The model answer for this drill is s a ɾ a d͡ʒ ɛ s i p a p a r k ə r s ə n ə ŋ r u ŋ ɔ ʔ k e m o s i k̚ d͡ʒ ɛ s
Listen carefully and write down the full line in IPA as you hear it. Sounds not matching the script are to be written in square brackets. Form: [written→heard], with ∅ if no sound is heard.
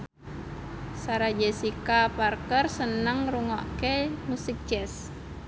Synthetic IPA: s a ɾ a d͡ʒ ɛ s i [p→k] a p a r k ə r s ə n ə ŋ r u ŋ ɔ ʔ k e m [o→u] s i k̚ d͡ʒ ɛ s